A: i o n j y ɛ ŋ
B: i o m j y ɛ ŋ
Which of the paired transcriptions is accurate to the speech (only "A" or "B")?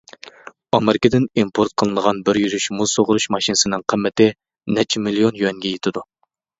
A